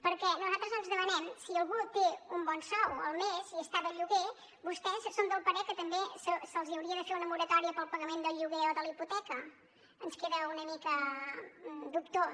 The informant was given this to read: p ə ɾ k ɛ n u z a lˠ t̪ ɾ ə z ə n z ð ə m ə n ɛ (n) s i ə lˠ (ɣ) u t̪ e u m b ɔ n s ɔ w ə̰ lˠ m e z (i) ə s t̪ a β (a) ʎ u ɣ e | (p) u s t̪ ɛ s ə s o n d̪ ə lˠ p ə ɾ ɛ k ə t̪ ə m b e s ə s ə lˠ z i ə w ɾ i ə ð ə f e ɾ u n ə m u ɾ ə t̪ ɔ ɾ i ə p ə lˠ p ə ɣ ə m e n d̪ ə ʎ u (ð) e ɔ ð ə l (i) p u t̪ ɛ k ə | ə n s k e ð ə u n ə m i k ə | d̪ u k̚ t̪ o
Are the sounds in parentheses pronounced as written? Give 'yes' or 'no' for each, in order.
no, yes, yes, no, no, no, yes

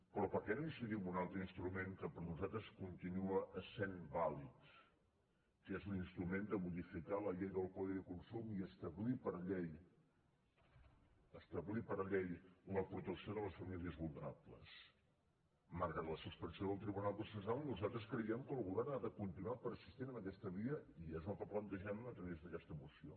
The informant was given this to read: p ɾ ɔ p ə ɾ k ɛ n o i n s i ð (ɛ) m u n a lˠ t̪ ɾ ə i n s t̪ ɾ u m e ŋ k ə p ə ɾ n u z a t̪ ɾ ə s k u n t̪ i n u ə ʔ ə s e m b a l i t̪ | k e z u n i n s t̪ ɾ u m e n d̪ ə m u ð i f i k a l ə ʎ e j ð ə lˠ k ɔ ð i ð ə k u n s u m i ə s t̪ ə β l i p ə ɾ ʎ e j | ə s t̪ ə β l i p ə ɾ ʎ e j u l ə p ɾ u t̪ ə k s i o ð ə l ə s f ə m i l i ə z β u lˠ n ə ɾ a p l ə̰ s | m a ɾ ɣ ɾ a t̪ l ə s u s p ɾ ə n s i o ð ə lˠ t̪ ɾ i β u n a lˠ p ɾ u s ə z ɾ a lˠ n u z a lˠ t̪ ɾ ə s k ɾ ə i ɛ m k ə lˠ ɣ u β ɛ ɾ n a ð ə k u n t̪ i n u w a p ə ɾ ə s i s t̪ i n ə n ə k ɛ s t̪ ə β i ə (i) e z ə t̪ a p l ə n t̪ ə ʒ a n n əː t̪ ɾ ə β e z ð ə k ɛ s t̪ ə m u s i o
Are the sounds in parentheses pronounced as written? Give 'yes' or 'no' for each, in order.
no, yes

